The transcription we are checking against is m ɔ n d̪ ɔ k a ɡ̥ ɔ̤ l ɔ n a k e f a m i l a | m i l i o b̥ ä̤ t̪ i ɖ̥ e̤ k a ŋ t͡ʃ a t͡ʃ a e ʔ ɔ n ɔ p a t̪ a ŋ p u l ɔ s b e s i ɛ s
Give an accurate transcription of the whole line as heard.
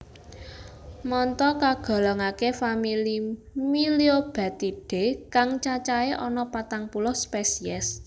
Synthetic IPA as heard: m ɔ n t̪ ɔ k a ɡ̥ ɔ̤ l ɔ ŋ a k e f a m i l i | m i l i o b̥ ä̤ t̪ i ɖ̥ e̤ k a ŋ t͡ʃ a t͡ʃ a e ʔ ɔ n ɔ p a t̪ a ŋ p u l ɔ s p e s i ɛ s